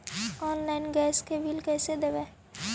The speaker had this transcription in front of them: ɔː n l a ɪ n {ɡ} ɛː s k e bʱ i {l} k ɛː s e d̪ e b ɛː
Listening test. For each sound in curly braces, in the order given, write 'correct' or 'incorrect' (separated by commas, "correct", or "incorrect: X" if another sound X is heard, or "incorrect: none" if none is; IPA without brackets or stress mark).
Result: correct, correct